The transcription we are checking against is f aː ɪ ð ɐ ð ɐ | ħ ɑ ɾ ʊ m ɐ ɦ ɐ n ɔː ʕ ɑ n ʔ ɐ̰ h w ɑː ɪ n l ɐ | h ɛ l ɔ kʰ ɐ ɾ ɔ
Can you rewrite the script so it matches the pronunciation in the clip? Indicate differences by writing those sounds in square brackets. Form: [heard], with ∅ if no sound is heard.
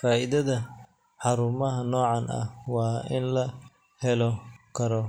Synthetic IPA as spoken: f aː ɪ ð ɐ ð ɐ | ħ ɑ ɾ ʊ m ɐ ɦ ɐ n ɔː ʕ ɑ n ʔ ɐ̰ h w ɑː ɪ n l ɐ | h ɛ l ɔ kʰ ɐ ɾ ɔ